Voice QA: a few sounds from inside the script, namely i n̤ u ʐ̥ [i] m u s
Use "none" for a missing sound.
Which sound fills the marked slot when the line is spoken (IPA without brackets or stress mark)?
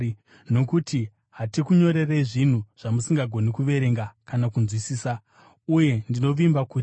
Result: a